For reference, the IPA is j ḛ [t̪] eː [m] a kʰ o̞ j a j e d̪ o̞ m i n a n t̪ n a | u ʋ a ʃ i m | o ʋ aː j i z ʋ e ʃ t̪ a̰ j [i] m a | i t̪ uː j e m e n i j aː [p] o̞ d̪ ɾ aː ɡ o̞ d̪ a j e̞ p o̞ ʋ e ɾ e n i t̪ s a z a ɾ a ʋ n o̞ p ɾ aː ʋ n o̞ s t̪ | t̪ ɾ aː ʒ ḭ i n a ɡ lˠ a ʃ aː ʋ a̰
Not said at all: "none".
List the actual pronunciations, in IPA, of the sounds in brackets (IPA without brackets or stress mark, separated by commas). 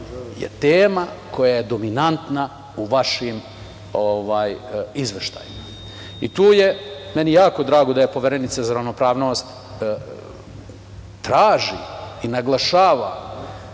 t̪, m, i, k